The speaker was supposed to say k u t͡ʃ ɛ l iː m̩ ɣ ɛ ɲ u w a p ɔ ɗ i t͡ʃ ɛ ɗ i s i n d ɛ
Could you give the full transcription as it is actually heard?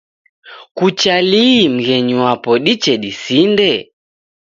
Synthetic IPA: k u t͡ʃ a l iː m̩ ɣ ɛ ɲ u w a p ɔ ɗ i t͡ʃ ɛ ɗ i s i n d ɛ